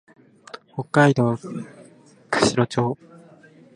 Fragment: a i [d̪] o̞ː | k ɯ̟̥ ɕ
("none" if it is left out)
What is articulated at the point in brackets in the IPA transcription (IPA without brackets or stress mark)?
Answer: d̪